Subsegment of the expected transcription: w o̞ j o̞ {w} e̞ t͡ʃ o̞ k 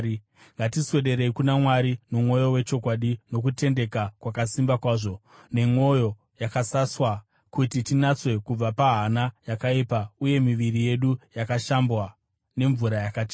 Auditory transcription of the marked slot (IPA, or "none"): w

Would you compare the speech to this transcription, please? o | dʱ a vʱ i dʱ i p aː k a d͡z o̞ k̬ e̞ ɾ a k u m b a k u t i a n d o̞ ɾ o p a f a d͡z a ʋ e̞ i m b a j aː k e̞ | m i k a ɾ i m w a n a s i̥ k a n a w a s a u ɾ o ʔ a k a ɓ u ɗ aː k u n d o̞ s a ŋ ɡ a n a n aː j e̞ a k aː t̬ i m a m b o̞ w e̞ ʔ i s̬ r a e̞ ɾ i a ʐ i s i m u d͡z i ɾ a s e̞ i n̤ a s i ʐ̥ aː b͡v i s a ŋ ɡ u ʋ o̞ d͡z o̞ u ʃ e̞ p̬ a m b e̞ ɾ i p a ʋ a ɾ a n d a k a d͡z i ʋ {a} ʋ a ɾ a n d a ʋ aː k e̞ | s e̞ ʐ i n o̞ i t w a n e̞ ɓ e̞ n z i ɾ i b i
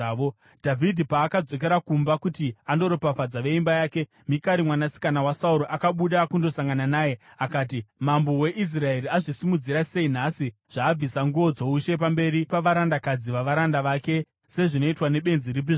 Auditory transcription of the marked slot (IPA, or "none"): a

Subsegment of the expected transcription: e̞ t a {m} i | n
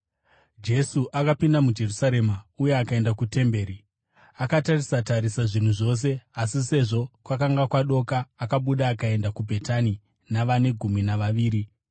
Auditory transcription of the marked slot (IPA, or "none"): n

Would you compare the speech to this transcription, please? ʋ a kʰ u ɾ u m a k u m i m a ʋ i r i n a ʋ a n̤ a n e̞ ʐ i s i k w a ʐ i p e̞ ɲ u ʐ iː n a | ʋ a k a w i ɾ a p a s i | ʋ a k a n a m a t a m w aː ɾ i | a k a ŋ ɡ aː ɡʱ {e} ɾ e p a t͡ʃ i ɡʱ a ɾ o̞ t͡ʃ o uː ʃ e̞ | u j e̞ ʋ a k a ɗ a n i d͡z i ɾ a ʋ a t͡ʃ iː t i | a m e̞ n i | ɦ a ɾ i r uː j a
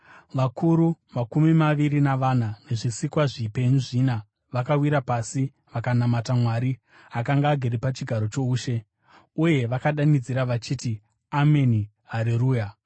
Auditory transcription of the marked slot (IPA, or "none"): e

